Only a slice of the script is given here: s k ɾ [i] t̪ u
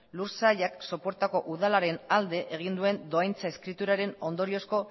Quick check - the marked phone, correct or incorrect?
correct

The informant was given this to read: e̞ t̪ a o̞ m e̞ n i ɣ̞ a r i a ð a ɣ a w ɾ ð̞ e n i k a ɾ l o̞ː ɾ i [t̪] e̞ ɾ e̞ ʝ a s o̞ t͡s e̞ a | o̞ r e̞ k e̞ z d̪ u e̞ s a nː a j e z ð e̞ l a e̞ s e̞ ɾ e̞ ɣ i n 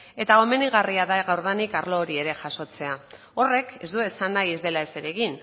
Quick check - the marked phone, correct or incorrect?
incorrect: none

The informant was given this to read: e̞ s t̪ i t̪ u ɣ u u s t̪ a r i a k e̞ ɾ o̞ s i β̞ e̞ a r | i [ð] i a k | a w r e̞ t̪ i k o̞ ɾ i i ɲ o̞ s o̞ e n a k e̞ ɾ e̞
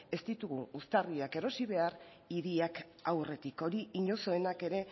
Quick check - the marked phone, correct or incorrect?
correct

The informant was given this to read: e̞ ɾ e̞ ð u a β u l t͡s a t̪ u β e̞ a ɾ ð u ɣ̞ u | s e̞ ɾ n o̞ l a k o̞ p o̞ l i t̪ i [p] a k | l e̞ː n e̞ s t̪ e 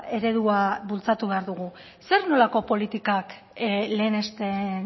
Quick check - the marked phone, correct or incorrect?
incorrect: k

